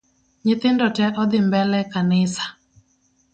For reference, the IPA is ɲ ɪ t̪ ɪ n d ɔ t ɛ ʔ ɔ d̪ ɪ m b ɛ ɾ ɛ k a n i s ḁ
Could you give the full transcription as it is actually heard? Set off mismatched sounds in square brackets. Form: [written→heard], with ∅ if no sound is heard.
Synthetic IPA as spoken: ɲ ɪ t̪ ɪ n d ɔ t ɛ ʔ ɔ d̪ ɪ m b ɛ [ɾ→l] ɛ k a n [i→ɪ] s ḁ